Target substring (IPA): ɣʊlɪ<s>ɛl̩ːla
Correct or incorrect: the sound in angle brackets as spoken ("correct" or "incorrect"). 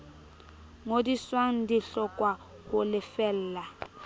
incorrect